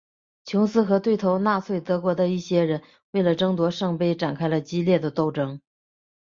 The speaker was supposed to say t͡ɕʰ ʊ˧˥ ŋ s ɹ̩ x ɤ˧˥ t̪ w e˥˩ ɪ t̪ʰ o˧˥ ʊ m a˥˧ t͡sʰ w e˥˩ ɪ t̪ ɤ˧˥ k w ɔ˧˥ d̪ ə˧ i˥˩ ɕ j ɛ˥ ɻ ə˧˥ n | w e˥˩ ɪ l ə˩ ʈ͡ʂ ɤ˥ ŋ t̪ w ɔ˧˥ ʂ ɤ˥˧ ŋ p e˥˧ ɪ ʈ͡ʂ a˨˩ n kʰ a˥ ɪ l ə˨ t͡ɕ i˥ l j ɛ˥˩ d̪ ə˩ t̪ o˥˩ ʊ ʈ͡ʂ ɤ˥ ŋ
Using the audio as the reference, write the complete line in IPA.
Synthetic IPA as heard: t͡ɕʰ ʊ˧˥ ŋ s ɹ̩ x ɤ˧˥ t̪ w e˥˩ ɪ t̪ʰ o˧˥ ʊ n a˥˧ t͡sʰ w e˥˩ ɪ t̪ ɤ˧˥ k w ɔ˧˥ d̪ ə˧ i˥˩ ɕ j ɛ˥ ɻ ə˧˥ n | w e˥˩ ɪ l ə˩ ʈ͡ʂ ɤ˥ ŋ t̪ w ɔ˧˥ ʂ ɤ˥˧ ŋ p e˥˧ ɪ ʈ͡ʂ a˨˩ n kʰ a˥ ɪ l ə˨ t͡ɕ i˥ l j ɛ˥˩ d̪ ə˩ t̪ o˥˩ ʊ ʈ͡ʂ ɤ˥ ŋ